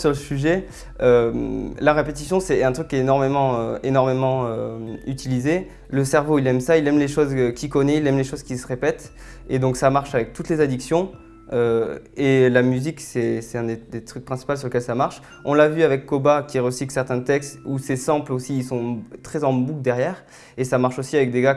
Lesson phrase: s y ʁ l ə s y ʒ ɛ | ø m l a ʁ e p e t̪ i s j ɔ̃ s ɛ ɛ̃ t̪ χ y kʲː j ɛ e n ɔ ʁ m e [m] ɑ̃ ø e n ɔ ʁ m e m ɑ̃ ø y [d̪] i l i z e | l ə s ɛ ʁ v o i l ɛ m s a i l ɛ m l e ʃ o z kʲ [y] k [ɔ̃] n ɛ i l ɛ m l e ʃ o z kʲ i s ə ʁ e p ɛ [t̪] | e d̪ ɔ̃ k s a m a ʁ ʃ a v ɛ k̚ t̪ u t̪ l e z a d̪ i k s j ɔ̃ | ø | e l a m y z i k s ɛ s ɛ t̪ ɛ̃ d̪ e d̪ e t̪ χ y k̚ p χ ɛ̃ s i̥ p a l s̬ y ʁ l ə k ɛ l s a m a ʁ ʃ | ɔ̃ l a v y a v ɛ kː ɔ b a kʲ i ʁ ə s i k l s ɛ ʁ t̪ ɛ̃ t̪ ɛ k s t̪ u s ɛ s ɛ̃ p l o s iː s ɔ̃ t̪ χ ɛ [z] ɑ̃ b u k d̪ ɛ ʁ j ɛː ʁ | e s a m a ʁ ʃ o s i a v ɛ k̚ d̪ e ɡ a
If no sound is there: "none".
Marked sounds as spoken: m, t̪, i, ɔ, t̪, z

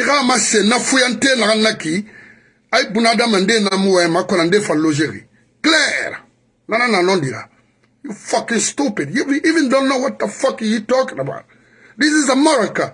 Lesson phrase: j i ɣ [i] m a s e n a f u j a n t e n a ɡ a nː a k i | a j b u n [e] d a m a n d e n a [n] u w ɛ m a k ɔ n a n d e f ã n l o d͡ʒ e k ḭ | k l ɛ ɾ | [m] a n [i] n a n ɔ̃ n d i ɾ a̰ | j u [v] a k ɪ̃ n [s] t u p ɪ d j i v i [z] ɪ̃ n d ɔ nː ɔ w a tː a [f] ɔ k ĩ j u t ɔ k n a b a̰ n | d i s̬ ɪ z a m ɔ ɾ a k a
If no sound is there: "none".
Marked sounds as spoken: a, a, m, n, a, f, s, v, f

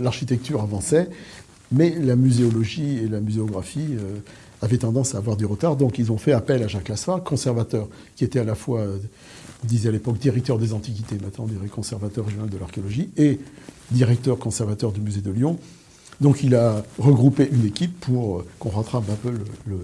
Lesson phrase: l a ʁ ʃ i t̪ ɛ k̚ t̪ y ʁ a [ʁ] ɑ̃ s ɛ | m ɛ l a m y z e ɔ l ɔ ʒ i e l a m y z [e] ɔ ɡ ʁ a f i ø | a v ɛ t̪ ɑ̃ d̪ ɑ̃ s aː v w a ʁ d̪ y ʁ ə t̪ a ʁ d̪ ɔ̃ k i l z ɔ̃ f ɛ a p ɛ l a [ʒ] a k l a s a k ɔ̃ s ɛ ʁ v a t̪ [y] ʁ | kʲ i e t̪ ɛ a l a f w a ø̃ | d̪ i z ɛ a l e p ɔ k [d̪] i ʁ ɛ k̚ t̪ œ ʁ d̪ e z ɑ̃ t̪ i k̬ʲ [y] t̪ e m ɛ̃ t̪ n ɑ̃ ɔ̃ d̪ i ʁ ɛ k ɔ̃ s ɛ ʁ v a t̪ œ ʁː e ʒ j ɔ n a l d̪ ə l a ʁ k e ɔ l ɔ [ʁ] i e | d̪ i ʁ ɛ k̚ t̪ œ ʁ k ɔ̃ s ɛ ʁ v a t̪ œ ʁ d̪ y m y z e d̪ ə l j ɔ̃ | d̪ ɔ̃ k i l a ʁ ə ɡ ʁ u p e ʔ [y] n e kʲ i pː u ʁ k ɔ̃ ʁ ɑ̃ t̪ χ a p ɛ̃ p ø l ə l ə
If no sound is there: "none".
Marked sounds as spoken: v, e, ʒ, œ, d̪, i, ʒ, y

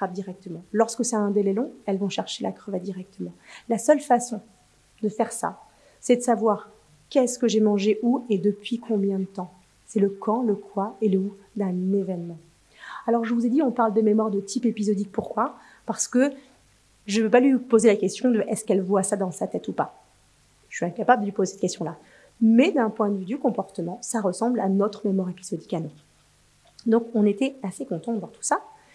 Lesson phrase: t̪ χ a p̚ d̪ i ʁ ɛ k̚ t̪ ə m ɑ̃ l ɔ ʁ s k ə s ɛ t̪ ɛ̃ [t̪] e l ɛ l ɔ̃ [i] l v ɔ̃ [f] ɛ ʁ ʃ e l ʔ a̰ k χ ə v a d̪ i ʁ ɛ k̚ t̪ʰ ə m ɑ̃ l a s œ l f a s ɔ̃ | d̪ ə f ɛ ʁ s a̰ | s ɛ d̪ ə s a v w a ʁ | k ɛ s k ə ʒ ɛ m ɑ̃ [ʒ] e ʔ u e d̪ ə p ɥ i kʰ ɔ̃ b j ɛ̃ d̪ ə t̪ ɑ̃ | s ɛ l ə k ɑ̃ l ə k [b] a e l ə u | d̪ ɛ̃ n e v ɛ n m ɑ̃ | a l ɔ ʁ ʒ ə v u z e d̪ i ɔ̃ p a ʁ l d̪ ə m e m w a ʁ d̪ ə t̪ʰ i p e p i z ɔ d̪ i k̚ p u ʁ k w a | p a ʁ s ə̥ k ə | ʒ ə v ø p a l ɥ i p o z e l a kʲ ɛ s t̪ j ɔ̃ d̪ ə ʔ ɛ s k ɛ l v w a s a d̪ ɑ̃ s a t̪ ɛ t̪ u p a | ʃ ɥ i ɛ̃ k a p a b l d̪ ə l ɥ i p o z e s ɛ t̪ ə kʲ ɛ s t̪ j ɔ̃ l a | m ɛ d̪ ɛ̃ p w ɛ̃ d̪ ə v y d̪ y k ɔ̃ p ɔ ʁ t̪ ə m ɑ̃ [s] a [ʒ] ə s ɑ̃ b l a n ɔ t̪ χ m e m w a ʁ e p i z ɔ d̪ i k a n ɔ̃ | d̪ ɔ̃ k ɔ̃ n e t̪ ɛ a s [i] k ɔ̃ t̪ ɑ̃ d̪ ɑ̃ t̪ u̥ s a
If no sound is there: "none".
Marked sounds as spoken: d̪, ɛ, ʃ, ʒ, w, s, ʁ, e

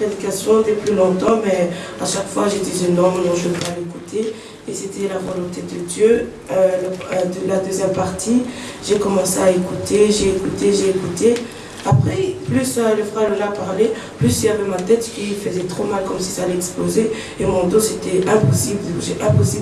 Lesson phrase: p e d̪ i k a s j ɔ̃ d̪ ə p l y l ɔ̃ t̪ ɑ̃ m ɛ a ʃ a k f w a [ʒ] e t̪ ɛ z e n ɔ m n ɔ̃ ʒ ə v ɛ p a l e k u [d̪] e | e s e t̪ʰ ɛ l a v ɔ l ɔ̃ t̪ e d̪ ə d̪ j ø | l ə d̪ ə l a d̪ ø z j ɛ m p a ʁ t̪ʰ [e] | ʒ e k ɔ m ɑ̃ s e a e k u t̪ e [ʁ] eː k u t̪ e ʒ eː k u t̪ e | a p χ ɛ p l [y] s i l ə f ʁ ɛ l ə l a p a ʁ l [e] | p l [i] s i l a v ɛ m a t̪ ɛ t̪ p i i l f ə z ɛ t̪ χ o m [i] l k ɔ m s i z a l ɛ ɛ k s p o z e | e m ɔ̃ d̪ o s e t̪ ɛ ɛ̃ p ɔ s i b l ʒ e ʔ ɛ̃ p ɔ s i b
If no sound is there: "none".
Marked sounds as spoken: ʒ, t̪, i, ʒ, y, e, y, a

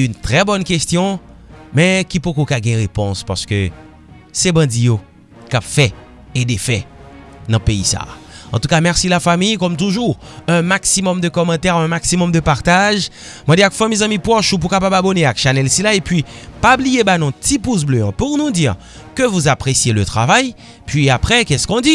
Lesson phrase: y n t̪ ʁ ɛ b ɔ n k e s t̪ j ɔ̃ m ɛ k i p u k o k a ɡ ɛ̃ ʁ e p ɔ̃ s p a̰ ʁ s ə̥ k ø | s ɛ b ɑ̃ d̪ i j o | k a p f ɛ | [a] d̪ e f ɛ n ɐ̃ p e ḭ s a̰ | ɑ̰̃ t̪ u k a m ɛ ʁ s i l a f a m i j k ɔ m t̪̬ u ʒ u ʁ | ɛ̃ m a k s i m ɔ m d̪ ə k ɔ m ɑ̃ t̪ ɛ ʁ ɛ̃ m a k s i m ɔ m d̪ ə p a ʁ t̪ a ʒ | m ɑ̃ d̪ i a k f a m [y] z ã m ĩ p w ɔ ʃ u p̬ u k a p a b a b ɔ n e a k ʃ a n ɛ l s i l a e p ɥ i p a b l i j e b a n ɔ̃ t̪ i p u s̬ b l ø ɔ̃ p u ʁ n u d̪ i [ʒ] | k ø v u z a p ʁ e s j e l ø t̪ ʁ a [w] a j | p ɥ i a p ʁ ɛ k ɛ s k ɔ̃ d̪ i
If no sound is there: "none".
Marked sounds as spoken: e, i, ʁ, v

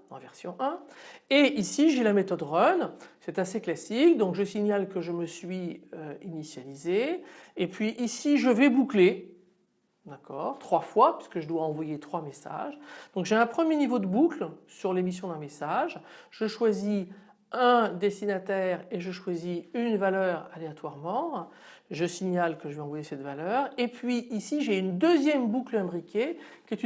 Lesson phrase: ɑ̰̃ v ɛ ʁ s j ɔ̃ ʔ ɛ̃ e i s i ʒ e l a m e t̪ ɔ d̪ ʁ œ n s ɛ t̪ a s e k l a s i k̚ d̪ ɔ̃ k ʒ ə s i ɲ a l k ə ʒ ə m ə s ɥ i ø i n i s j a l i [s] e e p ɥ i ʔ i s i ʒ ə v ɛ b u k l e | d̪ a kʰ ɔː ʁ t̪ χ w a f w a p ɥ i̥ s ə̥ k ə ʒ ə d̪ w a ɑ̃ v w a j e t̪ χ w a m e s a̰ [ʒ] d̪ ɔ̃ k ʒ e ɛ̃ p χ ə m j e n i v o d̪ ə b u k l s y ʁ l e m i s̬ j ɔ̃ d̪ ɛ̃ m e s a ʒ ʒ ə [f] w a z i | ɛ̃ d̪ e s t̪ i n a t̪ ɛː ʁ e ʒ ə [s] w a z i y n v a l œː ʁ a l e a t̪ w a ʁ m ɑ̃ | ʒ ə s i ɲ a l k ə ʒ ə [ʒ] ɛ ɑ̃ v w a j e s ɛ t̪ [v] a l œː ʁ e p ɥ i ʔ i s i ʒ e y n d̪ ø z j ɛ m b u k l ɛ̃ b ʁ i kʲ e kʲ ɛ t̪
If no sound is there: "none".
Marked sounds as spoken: z, ʒ, ʃ, ʃ, v, v

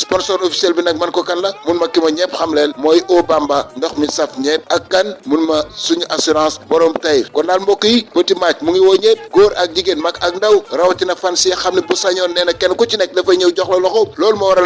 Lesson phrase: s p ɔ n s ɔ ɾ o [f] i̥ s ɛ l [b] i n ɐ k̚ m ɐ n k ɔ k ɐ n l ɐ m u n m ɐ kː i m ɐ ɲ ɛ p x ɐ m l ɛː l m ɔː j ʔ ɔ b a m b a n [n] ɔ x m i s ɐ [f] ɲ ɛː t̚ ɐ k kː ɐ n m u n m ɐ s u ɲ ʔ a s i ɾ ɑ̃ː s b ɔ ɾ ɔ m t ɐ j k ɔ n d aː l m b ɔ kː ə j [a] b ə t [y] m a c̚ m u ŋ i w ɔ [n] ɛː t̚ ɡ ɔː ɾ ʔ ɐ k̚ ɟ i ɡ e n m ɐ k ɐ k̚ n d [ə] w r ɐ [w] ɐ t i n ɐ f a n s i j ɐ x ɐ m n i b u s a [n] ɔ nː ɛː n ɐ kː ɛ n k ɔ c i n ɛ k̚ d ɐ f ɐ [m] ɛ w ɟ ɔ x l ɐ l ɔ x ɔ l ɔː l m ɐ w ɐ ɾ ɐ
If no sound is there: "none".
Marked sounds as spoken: f, b, d, f, i, i, ɲ, ɐ, w, ɲ, ɲ

